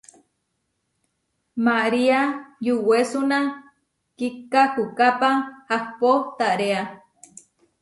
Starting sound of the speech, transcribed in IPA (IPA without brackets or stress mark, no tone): m